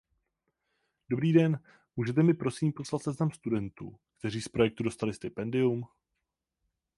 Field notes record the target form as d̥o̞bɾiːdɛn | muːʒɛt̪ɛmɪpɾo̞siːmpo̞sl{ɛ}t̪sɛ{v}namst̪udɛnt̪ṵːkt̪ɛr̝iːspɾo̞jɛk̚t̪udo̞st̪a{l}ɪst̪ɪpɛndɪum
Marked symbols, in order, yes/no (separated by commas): no, no, yes